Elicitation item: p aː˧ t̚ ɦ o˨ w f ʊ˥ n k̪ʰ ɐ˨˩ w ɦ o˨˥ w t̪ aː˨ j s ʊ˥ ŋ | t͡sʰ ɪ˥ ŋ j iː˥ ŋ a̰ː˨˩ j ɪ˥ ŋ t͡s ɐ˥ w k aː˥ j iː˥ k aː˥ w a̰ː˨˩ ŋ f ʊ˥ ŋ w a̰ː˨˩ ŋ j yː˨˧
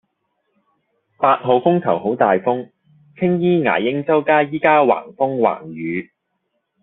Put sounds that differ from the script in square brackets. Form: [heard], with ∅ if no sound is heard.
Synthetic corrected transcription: p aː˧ t̚ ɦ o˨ w f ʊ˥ [ŋ] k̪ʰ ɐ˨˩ w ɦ o˨˥ w t̪ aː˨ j [f] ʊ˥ ŋ | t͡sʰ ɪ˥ ŋ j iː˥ ŋ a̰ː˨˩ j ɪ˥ ŋ t͡s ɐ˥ w k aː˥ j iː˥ k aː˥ w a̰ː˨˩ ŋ f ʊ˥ ŋ w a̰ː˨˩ ŋ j yː˨˧